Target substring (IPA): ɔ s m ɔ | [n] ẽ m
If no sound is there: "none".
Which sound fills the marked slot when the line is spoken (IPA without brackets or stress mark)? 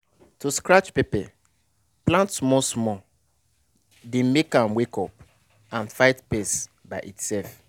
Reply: d